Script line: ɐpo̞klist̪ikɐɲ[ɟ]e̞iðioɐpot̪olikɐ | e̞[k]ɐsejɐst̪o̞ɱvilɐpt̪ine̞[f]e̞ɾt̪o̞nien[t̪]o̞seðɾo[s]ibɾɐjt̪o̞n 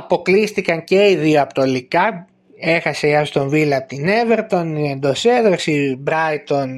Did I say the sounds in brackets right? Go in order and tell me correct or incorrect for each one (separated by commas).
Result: incorrect, incorrect, incorrect, incorrect, correct